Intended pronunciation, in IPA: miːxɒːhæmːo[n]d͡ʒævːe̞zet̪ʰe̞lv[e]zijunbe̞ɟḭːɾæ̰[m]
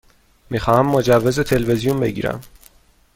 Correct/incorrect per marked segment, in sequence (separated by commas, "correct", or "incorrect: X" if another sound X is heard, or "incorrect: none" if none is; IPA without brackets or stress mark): incorrect: none, correct, correct